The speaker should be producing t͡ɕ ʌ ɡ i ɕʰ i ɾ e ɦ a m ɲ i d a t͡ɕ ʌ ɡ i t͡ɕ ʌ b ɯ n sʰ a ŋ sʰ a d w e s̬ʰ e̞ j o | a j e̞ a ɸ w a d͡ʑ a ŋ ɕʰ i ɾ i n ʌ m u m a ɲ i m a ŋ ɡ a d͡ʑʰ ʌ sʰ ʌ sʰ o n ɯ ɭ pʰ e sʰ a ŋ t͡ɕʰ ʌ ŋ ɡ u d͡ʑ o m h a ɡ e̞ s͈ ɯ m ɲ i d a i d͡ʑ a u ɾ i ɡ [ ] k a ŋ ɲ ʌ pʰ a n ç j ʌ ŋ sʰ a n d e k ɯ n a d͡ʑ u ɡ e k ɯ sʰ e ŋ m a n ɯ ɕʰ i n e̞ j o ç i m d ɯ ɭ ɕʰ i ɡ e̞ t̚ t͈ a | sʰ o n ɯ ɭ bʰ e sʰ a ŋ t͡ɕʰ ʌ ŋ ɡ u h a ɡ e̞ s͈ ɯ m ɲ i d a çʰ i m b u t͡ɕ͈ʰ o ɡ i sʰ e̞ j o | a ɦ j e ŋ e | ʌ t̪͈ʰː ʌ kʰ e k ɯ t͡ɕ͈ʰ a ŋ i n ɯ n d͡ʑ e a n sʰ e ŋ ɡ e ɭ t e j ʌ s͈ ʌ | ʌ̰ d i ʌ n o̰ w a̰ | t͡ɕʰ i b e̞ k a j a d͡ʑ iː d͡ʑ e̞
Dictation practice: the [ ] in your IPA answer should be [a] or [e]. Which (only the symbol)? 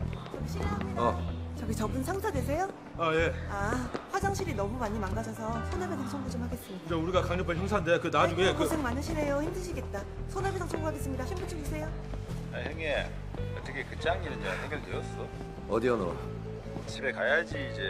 a